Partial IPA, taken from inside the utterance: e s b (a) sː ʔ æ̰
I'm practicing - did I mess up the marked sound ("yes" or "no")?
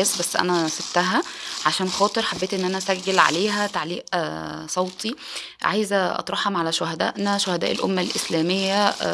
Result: yes